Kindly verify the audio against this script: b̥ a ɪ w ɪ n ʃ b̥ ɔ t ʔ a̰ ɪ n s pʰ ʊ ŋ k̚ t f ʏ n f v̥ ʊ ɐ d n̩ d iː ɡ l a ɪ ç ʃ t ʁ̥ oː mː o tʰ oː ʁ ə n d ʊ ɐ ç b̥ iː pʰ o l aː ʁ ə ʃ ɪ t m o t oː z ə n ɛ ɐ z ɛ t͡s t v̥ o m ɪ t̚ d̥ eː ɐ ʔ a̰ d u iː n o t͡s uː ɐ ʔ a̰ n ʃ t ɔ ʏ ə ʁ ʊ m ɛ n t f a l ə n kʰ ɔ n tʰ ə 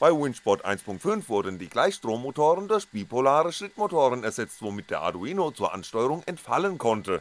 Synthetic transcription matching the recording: b̥ a ɪ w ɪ n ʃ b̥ ɔ t ʔ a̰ ɪ n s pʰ ʊ ŋ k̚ t f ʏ n f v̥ ʊ ɐ d n̩ d iː ɡ l a ɪ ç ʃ t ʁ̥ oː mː o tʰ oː ʁ ə n d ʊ ɐ ç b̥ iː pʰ o l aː ʁ ə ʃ ɪ t m o t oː ʁ ə n ɛ ɐ z ɛ t͡s t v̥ o m ɪ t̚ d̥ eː ɐ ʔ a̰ d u iː n o t͡s uː ɐ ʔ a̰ n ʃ t ɔ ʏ ə ʁ ʊ ŋ ɛ n t f a l ə n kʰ ɔ n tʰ ə

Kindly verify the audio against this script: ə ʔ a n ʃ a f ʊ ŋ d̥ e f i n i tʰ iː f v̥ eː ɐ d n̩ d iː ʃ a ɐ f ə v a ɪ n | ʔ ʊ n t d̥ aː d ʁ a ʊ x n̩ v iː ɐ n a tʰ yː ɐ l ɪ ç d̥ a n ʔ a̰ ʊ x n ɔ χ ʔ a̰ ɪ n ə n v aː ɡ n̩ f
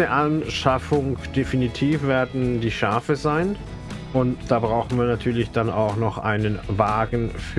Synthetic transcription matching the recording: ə ʔ a n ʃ a f ʊ ŋ d̥ e f i n i tʰ iː f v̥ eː ɐ d n̩ d iː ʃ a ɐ f ə z a ɪ n | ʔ ʊ n t d̥ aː b ʁ a ʊ x n̩ v iː ɐ n a tʰ yː ɐ l ɪ ç d̥ a n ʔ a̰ ʊ x n ɔ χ ʔ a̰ ɪ n ə n v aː ɡ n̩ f

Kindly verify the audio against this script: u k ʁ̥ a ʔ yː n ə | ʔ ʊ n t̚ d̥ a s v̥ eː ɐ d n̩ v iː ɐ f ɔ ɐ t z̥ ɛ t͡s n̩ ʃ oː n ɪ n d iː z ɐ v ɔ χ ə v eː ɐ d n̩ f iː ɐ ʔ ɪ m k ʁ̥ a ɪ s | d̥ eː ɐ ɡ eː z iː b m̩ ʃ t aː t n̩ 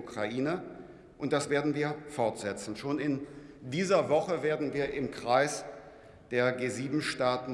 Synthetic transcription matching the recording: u k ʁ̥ a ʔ iː n ə | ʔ ʊ n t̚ d̥ a s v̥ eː ɐ d n̩ v iː ɐ f ɔ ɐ t z̥ ɛ t͡s n̩ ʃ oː n ɪ n d iː z ɐ v ɔ χ ə v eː ɐ d n̩ v iː ɐ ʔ ɪ m k ʁ̥ a ɪ s | d̥ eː ɐ ɡ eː z iː b m̩ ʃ t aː t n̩

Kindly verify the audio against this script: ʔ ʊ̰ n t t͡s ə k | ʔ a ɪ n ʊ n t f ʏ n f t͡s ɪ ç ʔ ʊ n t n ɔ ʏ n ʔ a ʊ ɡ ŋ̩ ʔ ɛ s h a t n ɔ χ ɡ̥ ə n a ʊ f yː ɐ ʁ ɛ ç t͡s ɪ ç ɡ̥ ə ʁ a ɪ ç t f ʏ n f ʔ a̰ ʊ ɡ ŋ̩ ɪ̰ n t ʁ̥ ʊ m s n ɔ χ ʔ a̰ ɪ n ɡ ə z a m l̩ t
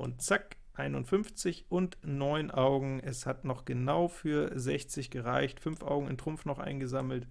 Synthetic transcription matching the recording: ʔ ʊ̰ n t t͡s a k | ʔ a ɪ n ʊ n t f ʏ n f t͡s ɪ ç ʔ ʊ n t n ɔ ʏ n ʔ a ʊ ɡ ŋ̩ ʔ ɛ s h a t n ɔ χ ɡ̥ ə n a ʊ f yː ɐ z ɛ ç t͡s ɪ ç ɡ̥ ə ʁ a ɪ ç t f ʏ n f ʔ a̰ ʊ ɡ ŋ̩ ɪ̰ n t ʁ̥ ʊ m f n ɔ χ ʔ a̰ ɪ n ɡ ə z a m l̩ t

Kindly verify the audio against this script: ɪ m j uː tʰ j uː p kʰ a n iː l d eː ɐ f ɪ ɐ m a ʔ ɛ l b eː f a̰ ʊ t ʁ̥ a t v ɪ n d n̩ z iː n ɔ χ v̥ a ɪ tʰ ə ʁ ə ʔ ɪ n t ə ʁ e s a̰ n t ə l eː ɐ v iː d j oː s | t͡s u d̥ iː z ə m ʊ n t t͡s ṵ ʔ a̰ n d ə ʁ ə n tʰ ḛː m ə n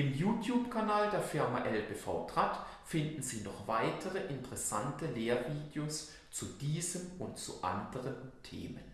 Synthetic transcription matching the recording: ɪ m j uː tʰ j uː p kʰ a n aː l d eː ɐ f ɪ ɐ m a ʔ ɛ l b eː f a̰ ʊ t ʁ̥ a t f ɪ n d n̩ z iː n ɔ χ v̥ a ɪ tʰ ə ʁ ə ʔ ɪ n t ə ʁ ɛ s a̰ n t ə l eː ɐ v iː d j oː s | t͡s u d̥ iː z ə m ʊ n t t͡s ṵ ʔ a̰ n d ə ʁ ə n tʰ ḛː m ə n

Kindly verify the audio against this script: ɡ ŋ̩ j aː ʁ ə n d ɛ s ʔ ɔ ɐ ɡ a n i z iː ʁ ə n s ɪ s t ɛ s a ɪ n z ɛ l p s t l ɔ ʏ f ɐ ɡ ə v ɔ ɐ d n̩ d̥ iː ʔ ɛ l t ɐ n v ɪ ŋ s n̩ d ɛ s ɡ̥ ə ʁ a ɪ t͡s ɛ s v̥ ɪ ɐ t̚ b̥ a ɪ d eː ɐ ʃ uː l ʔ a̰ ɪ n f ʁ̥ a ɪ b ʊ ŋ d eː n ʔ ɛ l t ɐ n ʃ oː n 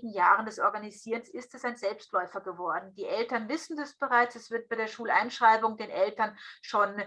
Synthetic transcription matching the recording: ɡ ŋ̩ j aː ʁ ə n d ɛ s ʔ ɔ ɐ ɡ a n i z iː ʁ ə n s ɪ s t ɛ s a ɪ n z ɛ l p s t l ɔ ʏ f ɐ ɡ ə v ɔ ɐ d n̩ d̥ iː ʔ ɛ l t ɐ n v ɪ s n̩ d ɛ s b̥ ə ʁ a ɪ t͡s ɛ s v̥ ɪ ɐ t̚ b̥ a ɪ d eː ɐ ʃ uː l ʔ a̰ ɪ n ʃ ʁ̥ a ɪ b ʊ ŋ d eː n ʔ ɛ l t ɐ n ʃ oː n

